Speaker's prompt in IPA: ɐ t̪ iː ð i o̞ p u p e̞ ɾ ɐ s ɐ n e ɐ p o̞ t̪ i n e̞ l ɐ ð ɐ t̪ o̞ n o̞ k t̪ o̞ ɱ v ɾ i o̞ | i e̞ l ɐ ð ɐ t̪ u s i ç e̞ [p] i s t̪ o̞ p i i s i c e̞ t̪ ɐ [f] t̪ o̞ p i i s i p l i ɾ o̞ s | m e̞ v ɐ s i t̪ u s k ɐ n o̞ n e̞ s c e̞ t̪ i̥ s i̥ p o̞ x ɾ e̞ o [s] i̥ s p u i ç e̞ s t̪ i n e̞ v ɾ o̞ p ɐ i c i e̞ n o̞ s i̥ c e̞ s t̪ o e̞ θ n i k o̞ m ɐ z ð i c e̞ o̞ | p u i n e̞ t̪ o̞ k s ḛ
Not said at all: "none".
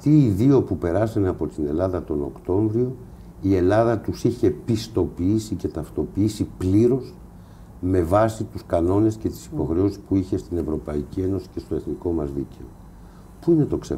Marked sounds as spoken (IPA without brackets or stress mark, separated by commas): p, f, s